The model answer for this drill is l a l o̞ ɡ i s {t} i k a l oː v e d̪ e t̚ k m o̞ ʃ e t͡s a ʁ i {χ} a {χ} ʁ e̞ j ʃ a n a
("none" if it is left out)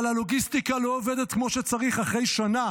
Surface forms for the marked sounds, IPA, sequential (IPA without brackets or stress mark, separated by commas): t, χ, χ